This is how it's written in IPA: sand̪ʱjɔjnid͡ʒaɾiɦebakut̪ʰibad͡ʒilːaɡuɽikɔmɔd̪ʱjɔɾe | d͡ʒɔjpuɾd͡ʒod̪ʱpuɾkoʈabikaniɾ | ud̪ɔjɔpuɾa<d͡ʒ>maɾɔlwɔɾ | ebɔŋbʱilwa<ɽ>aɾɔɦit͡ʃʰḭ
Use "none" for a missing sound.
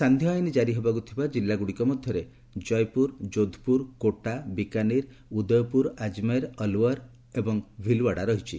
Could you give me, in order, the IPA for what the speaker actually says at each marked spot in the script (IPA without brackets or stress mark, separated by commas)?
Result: d͡ʒ, ɽ